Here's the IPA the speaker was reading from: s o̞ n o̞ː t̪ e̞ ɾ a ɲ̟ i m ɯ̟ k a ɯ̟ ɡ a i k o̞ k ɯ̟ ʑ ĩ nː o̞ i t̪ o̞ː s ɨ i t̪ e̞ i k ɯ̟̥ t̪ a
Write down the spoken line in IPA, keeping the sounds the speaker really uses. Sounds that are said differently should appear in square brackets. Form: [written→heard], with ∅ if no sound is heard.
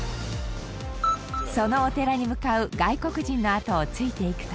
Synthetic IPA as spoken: s o̞ n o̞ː t̪ e̞ ɾ a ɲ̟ i m ɯ̟ k a ɯ̟ ɡ a i k o̞ k ɯ̟ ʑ ĩ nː o̞ [i→a] t̪ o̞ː [s→t͡s] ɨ i t̪ e̞ i k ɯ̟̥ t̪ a